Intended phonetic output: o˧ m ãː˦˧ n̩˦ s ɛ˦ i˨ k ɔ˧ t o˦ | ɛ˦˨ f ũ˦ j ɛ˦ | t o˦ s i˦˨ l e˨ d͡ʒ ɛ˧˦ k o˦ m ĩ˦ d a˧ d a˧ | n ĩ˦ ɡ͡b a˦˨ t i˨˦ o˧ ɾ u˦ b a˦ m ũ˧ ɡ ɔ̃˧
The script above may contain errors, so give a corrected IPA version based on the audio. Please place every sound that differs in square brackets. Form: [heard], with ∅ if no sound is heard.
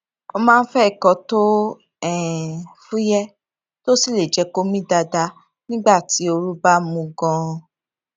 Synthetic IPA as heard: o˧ m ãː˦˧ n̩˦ [f] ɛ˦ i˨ k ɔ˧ t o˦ | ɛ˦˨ f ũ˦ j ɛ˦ | t o˦ s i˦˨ l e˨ d͡ʒ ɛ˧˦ k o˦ m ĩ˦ d a˧ d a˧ | n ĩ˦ ɡ͡b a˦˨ t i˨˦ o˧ ɾ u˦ b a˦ m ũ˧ ɡ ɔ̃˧